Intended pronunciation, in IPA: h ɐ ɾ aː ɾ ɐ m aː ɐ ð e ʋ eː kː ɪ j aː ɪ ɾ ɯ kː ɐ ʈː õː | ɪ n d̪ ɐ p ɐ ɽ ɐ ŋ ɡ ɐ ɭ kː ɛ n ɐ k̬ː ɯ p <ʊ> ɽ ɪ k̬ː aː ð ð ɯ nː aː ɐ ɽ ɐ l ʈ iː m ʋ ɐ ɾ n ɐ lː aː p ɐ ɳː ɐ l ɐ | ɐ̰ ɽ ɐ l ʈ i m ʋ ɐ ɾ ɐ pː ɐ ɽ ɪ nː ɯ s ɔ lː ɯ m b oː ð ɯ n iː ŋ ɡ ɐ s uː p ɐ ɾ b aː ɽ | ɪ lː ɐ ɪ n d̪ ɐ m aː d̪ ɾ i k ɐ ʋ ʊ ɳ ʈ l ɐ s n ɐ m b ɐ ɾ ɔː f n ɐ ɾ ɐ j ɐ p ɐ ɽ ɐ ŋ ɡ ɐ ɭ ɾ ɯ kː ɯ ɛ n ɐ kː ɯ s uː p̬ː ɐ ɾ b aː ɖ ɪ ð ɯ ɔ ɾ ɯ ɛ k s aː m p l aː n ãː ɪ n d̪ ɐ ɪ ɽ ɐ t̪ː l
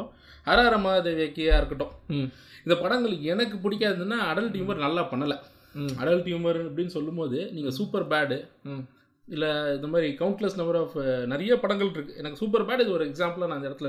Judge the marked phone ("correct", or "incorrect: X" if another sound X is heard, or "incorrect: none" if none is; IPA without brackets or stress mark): correct